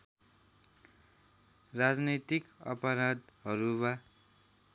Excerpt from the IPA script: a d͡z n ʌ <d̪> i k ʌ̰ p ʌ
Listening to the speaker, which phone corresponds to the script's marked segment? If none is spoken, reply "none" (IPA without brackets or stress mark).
t̪